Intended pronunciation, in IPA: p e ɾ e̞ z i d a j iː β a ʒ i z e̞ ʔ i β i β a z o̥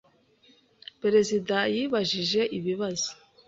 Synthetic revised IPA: p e ɾ e̞ z i d a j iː β a ʒ i ʒ e̞ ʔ i β i β a z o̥